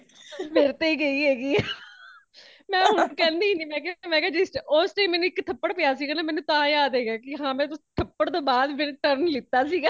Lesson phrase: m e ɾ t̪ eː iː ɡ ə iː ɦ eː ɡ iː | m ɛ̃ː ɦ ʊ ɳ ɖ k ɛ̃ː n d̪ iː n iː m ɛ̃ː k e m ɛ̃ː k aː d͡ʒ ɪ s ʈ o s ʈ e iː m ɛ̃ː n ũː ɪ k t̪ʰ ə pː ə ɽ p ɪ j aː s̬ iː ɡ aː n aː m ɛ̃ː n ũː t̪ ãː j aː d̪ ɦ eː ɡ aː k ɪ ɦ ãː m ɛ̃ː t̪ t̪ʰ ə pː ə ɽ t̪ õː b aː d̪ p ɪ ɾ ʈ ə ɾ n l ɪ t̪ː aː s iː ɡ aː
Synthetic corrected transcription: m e ɾ t̪ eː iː ɡ ə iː ɦ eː ɡ iː | m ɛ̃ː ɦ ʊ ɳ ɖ k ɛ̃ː n d̪ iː n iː m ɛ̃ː k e m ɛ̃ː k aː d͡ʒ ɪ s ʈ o s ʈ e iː m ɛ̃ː n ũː ɪ k t̪ʰ ə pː ə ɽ p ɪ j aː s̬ iː ɡ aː n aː m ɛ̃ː n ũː t̪ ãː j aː d̪ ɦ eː ɡ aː k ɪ ɦ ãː m ɛ̃ː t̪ t̪ʰ ə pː ə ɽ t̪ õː b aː d̪ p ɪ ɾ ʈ ə ɾ n l ɪ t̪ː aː s iː ɡ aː